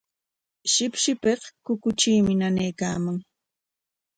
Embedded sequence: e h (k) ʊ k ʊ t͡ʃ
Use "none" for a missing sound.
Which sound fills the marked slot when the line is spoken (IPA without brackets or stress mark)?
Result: k